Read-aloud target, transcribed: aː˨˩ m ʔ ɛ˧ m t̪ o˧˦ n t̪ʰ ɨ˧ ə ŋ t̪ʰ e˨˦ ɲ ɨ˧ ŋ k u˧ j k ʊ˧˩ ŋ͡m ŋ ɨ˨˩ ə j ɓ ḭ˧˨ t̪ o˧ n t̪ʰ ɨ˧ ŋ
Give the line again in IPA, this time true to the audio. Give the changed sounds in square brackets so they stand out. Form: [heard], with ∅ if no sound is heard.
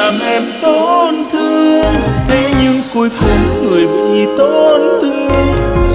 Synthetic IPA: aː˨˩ m ʔ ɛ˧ m t̪ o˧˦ n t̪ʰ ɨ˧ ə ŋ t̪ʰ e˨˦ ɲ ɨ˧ ŋ k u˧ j k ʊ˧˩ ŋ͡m ŋ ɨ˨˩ ə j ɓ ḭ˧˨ t̪ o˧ n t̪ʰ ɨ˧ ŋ